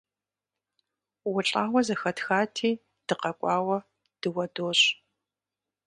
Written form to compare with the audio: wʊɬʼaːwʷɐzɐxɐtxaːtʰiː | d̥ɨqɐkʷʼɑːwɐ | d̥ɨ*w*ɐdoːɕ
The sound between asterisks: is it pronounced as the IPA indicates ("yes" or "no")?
yes